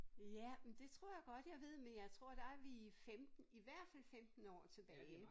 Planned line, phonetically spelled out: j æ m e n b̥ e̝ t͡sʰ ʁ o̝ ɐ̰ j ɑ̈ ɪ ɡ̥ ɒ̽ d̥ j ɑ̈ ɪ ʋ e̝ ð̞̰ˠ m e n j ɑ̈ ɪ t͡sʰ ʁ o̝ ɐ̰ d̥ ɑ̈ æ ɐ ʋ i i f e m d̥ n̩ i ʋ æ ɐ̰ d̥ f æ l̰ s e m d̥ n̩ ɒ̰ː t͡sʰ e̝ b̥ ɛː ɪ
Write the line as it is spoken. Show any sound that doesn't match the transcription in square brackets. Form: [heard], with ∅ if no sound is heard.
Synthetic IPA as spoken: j æ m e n [d̥] e̝ t͡sʰ ʁ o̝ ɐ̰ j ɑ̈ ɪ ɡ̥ ɒ̽ d̥ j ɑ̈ ɪ ʋ e̝ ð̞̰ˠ m e n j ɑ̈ ɪ t͡sʰ ʁ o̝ ɐ̰ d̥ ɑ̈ æ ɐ ʋ i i f e m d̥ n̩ i ʋ æ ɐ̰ d̥ f æ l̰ [f] e m d̥ n̩ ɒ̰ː t͡sʰ e̝ b̥ ɛː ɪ